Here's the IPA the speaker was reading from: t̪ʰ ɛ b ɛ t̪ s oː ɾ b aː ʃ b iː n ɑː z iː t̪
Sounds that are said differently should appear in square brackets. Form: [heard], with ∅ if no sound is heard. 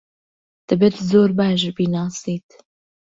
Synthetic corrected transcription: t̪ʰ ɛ b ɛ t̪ [z] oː ɾ b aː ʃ b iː n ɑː [s] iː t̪

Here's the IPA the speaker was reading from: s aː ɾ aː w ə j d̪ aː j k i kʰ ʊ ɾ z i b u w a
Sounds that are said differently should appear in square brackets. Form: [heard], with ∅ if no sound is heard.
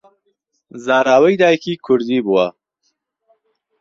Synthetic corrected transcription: [z] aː ɾ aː w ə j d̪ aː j k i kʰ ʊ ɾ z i b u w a

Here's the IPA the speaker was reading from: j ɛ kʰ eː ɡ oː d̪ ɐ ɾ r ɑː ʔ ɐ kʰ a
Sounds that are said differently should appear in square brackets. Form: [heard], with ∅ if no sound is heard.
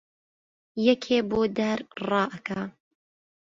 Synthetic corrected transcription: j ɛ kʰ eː [b] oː d̪ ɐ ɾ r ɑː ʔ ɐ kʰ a

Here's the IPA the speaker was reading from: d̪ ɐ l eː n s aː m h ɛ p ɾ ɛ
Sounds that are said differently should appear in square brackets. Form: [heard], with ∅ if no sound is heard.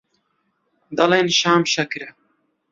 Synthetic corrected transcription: d̪ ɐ l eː n [ʃ] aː m [ʃ] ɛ [k] ɾ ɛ

